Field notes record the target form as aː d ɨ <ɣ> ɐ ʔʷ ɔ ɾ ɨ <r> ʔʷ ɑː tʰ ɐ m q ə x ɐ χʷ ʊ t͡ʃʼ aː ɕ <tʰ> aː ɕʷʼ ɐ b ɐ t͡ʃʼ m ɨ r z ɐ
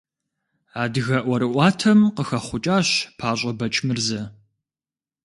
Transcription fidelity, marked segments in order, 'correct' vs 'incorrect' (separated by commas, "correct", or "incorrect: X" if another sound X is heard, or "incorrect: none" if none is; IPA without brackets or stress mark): correct, incorrect: none, incorrect: pʰ